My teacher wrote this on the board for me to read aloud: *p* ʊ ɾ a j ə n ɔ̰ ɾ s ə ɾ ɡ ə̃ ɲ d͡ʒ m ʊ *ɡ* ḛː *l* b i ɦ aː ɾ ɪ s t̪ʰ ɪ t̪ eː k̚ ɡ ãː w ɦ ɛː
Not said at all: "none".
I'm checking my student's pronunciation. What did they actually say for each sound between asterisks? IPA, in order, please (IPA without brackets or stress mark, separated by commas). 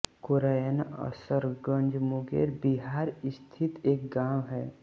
k, ɡ, ɾ